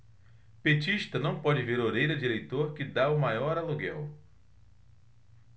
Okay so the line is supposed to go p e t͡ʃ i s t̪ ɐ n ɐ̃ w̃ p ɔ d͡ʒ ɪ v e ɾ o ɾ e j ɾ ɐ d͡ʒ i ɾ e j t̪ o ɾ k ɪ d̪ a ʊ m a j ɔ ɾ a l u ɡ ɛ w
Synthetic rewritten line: p e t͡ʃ i ʃ t̪ ɐ n ɐ̃ w̃ p ɔ d͡ʒ ɪ v e ɾ o ɾ e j ɾ ɐ d͡ʒ i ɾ e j t̪ o ɾ k ɪ d̪ a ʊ m a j ɔ ɾ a l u ɡ ɛ w